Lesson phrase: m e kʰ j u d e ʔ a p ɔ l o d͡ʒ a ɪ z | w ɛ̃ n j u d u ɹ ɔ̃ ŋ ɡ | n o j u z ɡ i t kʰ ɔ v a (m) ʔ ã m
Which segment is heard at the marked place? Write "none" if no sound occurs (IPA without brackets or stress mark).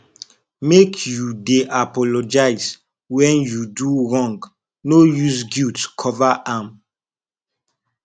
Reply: none